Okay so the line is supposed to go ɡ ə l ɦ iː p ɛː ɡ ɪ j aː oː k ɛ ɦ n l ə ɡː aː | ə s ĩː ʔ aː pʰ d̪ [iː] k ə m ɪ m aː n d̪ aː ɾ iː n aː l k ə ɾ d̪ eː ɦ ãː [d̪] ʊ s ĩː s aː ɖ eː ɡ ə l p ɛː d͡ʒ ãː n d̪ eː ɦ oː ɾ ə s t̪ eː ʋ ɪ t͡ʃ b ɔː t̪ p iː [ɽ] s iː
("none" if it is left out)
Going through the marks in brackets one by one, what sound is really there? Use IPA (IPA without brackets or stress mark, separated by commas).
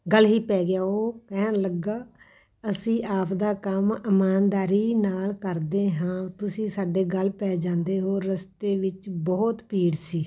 aː, t̪, ɽ